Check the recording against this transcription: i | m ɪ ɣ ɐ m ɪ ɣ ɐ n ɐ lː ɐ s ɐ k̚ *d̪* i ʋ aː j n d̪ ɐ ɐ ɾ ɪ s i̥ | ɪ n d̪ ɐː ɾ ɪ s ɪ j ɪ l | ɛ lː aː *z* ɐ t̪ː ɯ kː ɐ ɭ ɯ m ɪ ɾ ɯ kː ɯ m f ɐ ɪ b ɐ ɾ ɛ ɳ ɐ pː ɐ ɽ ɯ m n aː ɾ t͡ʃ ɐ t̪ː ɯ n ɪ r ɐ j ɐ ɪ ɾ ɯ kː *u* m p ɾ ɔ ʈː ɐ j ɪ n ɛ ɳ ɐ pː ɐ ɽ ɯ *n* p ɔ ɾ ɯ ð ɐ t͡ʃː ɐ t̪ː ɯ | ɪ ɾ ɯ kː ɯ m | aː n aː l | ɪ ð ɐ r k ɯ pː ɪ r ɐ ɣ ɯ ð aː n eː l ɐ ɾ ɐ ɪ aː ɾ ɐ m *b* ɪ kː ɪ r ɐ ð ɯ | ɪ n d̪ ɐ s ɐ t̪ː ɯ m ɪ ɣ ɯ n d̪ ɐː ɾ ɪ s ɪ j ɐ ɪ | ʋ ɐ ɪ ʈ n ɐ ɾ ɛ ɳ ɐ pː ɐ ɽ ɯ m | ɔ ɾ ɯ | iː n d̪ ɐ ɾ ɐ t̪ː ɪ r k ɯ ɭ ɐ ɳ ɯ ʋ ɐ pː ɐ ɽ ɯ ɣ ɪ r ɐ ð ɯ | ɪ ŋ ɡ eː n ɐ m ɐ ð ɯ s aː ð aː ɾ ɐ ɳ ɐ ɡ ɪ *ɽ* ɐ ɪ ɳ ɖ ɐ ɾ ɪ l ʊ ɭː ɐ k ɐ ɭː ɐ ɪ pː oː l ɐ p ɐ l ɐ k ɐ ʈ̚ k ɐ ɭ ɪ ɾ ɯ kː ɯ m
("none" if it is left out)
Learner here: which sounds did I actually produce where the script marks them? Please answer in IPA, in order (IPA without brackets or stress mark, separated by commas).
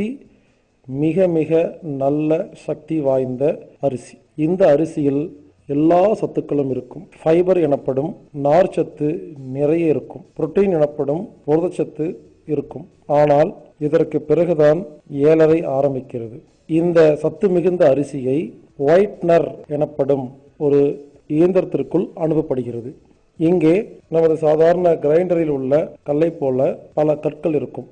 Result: t̪, s, ɯ, m, b, ɾ